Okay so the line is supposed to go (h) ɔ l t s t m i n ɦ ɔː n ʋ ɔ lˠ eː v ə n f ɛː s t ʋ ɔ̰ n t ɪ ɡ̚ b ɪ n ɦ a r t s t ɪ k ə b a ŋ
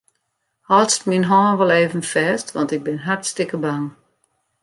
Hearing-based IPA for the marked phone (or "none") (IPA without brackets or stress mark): h